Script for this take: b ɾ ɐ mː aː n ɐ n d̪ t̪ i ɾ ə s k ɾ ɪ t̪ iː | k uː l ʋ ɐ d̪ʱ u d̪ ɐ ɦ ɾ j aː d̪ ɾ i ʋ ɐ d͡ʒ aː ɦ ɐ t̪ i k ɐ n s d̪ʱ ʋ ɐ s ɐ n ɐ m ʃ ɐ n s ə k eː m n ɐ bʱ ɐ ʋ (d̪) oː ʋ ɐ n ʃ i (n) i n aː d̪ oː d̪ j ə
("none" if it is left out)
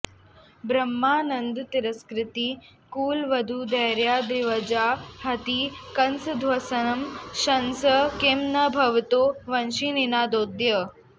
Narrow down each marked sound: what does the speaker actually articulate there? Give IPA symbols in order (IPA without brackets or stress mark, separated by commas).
t̪, n